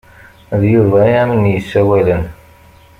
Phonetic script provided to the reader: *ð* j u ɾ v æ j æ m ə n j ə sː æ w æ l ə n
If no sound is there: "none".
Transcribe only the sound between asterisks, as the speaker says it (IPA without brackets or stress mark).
ð